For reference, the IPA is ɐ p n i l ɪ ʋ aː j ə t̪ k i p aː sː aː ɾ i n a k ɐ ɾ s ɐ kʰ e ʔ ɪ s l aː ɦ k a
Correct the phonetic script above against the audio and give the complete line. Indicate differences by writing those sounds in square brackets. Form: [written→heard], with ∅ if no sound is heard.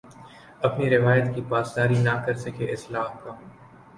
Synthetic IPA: ɐ p n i [l→ɾ] ɪ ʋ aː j ə t̪ k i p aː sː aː ɾ i n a k ɐ ɾ s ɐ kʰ e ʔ ɪ s l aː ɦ k a